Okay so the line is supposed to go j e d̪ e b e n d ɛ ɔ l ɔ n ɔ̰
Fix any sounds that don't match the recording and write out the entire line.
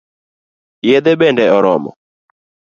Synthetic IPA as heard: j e d̪ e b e n d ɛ ɔ ɾ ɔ m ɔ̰